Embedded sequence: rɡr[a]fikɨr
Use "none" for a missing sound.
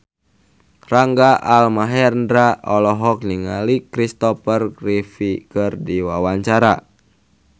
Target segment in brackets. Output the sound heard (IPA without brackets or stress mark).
i